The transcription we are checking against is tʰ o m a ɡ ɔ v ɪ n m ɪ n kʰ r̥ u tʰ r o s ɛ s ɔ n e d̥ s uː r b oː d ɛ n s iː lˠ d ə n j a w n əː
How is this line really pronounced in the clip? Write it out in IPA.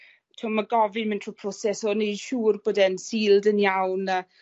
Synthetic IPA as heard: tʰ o m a ɡ ɔ v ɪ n m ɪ n tʰ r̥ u pʰ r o s ɛ s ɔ n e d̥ ʃ uː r b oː d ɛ n s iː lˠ d ə n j a w n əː